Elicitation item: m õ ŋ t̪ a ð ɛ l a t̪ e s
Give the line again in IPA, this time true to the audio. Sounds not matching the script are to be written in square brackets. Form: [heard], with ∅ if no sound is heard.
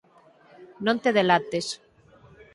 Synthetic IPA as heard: [n] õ [n] t̪ [e] ð [e] l a t̪ e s